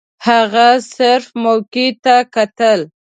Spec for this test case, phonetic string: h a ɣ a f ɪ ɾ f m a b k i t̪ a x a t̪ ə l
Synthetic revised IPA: h a ɣ a s ɪ ɾ f m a w k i t̪ a k a t̪ ə l